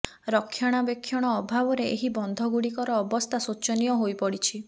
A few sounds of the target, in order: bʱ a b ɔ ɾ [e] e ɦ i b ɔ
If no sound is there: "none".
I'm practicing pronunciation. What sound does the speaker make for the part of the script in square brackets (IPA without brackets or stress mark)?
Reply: e